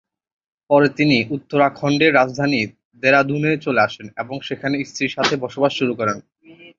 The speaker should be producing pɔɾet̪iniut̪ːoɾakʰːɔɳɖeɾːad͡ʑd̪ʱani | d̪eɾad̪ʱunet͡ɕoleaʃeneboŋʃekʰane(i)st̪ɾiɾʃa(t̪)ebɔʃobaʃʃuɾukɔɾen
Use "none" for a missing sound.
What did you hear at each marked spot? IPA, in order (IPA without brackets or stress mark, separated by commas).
i, t̪ʰ